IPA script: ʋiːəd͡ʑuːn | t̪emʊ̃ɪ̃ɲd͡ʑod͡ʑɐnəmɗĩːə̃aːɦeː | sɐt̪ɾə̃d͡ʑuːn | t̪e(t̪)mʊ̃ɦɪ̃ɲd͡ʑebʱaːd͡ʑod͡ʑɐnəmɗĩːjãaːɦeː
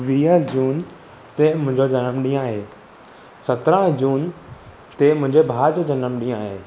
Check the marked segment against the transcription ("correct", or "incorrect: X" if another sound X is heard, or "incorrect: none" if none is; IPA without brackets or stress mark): incorrect: none